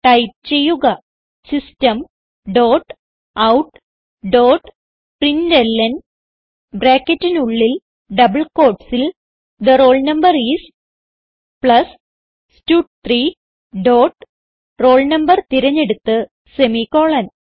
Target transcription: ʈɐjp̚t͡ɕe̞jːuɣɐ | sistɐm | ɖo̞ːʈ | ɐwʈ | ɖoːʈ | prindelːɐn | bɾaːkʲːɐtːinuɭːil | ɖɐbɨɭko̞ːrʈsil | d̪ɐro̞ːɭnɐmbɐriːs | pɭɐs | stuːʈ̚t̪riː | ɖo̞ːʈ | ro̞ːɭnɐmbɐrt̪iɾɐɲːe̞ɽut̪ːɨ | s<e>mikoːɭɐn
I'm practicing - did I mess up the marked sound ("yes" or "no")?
no